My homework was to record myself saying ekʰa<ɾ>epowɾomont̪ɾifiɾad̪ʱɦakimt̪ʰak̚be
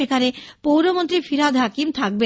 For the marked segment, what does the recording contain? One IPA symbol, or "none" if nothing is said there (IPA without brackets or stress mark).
ɾ